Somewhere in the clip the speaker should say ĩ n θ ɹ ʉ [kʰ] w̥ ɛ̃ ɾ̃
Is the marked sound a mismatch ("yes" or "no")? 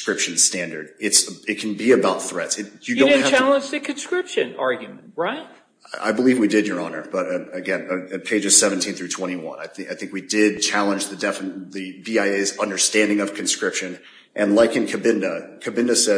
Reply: yes